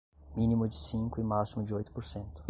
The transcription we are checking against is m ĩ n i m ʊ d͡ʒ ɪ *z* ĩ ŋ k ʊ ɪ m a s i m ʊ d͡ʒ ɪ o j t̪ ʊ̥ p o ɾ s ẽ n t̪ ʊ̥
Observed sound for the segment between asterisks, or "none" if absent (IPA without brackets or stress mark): s